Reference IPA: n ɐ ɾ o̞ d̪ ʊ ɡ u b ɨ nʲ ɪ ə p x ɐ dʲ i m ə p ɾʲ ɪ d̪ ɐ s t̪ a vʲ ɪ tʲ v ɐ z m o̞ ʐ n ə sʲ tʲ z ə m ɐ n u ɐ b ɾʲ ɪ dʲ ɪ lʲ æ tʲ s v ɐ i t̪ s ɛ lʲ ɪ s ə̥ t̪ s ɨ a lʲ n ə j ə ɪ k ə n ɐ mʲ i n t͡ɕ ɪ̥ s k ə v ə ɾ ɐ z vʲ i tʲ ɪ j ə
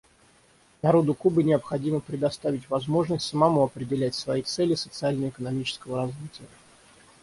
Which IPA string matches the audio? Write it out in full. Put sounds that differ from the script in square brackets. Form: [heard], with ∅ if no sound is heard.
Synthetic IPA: n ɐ ɾ o̞ d̪ ʊ [k] u b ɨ nʲ ɪ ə p x ɐ dʲ i m ə p ɾʲ ɪ d̪ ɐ s t̪ a vʲ ɪ tʲ v ɐ z m o̞ ʐ n ə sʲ tʲ [s] ə m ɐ [m] u ɐ [p] ɾʲ ɪ dʲ ɪ lʲ æ tʲ s v ɐ i t̪ s ɛ lʲ ɪ s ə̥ t̪ s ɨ a lʲ n ə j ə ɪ k ə n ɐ mʲ i [∅] t͡ɕ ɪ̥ s k ə v ə ɾ ɐ z vʲ i tʲ ɪ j ə